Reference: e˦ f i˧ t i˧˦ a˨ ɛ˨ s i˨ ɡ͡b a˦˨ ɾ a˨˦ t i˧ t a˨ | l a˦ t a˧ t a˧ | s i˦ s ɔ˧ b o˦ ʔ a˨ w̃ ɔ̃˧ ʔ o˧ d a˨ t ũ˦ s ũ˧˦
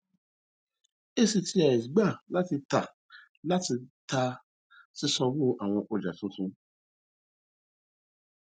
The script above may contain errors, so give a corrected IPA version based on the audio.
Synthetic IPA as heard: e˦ s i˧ t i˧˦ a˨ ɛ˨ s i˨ ɡ͡b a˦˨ l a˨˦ t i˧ t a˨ | l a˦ t i˧ t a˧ | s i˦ s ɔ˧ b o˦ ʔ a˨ w̃ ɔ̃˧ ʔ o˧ d͡ʒ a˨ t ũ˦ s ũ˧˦

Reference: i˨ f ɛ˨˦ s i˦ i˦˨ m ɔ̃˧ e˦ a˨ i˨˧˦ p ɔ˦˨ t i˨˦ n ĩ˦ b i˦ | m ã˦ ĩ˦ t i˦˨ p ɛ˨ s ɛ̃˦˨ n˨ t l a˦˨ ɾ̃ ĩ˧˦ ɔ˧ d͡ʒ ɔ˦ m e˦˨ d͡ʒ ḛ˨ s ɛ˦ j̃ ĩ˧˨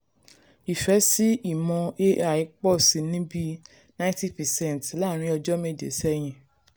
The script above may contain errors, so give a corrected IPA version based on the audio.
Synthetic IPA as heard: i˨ f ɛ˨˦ s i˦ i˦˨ m ɔ̃˧ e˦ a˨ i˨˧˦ k͡p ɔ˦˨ s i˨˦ n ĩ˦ b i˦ | n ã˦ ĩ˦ t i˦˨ p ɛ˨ s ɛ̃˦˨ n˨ t l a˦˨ ɾ̃ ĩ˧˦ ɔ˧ d͡ʒ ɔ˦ m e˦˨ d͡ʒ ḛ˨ s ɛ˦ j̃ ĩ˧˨

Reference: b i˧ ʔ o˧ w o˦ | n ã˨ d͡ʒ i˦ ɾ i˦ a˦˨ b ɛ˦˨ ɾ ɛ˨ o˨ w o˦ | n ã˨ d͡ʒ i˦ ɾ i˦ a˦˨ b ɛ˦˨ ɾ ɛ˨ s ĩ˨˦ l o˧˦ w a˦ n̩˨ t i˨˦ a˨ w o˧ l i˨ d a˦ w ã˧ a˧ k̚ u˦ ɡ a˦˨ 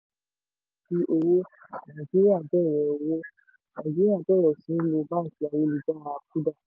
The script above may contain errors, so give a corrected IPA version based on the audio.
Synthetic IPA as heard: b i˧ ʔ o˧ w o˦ | n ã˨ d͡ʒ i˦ ɾ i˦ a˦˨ b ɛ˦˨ ɾ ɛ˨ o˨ w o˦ | n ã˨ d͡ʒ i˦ ɾ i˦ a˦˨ b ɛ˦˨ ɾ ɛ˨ s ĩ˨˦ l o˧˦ b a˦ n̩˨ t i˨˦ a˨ w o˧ l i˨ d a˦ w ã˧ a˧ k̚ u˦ d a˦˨

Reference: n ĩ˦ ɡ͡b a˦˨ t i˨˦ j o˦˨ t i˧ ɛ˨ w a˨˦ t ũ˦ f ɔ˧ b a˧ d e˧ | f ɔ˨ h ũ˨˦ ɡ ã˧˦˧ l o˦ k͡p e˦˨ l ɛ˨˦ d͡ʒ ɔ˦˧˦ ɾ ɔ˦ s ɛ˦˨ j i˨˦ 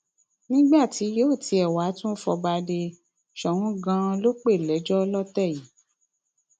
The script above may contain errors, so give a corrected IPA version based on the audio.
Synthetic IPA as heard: n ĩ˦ ɡ͡b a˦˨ t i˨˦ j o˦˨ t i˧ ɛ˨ w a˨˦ t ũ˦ f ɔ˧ b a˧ d e˧ | ʃ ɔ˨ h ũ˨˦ ɡ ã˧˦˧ l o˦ k͡p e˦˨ l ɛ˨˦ d͡ʒ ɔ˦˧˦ l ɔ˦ t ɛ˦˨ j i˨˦

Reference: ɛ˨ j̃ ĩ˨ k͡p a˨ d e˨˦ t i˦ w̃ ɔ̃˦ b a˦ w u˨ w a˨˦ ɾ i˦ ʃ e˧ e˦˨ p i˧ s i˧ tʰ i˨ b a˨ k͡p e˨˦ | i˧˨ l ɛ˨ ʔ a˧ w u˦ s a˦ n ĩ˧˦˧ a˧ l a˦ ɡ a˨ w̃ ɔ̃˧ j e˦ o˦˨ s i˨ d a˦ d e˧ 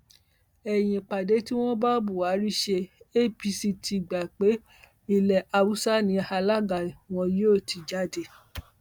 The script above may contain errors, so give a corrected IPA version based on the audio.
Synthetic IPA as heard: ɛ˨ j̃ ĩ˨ k͡p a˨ d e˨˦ t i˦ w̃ ɔ̃˦ b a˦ b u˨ w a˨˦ ɾ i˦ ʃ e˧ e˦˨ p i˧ s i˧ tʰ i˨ ɡ͡b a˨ k͡p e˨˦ | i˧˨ l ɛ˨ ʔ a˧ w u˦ s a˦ n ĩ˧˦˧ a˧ l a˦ ɡ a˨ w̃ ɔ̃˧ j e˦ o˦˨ t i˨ d͡ʒ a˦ d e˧

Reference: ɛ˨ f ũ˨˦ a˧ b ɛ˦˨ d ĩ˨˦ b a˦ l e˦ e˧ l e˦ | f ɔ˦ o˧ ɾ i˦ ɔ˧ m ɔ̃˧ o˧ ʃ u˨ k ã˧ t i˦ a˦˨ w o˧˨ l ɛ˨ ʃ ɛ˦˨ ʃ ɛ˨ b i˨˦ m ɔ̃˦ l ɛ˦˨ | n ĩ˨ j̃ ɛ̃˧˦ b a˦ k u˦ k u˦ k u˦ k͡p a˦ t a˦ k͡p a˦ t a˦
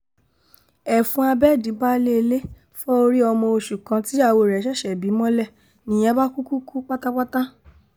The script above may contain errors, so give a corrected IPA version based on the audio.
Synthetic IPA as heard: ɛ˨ f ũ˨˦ a˧ b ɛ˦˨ d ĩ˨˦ b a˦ l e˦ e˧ l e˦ | f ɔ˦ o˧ ɾ i˦ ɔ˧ m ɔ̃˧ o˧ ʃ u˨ k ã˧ t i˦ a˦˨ w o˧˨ ɾ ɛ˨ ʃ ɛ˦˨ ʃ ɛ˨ b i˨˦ m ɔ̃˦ l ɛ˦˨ | n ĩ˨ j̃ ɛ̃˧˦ b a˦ k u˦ k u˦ k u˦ k͡p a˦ t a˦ k͡p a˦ t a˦

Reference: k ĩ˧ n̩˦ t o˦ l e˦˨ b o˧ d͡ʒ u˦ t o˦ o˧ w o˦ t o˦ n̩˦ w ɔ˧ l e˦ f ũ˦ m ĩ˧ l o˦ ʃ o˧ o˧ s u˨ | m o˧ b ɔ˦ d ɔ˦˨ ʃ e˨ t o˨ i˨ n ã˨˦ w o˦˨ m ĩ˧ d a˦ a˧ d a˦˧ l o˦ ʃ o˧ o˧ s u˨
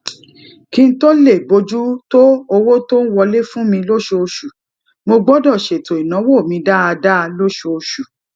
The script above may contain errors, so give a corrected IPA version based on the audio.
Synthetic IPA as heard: k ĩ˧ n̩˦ t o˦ l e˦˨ b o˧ d͡ʒ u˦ t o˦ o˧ w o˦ t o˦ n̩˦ w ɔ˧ l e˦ f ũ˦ m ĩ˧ l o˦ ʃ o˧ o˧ ʃ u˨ | m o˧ ɡ͡b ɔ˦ d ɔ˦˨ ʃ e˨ t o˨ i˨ n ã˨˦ w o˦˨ m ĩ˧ d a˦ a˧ d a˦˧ l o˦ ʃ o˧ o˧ ʃ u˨

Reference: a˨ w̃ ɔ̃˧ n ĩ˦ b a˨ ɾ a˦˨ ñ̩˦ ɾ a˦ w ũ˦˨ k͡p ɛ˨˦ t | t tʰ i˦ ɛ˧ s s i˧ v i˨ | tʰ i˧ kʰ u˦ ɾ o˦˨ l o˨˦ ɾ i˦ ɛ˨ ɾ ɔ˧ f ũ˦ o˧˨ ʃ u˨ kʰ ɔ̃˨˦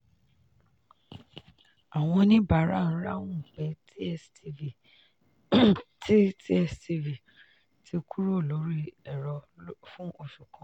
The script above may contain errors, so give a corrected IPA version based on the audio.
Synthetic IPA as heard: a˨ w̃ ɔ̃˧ n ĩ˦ b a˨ ɾ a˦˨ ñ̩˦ ɾ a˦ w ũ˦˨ k͡p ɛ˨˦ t | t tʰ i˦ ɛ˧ s t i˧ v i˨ | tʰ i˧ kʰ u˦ ɾ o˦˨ l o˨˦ ɾ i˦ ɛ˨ ɾ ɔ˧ f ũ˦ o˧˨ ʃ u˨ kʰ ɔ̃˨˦

